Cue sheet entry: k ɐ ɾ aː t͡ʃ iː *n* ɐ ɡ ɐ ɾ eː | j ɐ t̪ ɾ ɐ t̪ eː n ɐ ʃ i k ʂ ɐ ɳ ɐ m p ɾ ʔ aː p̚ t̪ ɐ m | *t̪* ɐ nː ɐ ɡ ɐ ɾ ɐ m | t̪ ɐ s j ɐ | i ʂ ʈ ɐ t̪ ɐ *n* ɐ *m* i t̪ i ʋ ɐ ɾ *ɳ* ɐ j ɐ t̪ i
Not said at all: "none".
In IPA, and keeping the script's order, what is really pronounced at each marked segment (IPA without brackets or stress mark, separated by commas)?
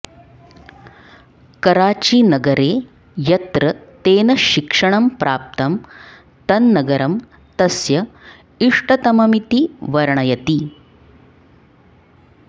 n, t̪, m, m, ɳ